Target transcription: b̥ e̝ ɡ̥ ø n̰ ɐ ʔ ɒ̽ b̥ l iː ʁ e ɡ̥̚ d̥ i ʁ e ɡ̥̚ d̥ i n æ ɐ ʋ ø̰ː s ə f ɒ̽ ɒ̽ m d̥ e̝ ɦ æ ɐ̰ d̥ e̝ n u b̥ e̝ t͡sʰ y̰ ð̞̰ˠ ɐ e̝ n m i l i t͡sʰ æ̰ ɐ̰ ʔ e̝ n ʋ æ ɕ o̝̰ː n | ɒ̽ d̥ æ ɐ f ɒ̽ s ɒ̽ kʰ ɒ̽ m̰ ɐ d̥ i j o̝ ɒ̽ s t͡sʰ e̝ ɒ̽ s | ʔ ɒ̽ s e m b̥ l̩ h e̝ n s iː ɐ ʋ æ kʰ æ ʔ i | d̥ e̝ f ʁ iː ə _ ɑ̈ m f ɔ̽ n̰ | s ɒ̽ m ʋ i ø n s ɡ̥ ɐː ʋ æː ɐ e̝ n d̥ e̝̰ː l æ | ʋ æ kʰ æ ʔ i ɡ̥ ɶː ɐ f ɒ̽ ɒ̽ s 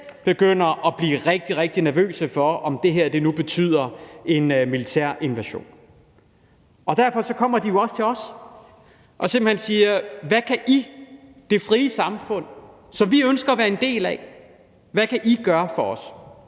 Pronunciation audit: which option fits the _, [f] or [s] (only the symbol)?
s